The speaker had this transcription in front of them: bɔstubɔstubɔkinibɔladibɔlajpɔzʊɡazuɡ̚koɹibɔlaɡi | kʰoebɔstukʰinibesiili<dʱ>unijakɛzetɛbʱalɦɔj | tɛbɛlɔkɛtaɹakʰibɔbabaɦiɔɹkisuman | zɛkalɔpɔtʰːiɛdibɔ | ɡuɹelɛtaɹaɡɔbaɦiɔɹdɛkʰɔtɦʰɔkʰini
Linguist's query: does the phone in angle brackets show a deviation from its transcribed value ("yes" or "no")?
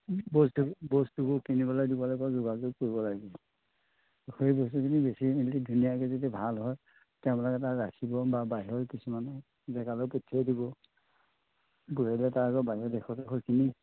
no